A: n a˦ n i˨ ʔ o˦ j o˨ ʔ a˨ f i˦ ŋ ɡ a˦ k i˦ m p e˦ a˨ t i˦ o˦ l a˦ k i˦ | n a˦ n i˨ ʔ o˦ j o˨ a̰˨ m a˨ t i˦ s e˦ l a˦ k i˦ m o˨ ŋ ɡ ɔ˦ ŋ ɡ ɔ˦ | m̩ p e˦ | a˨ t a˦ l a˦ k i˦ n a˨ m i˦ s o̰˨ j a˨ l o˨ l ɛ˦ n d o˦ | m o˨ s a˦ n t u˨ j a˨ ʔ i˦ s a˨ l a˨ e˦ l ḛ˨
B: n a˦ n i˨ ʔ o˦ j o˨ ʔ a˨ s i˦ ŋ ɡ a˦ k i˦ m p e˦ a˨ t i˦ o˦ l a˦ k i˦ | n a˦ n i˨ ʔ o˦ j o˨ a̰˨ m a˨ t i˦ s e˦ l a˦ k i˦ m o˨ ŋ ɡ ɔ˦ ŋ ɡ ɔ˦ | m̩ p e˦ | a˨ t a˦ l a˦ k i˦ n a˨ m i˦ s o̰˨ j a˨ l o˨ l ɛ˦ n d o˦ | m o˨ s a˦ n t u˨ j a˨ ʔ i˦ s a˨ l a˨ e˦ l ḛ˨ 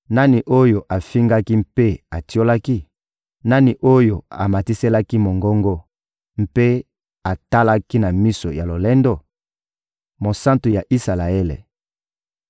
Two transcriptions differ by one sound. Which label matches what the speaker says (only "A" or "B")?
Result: A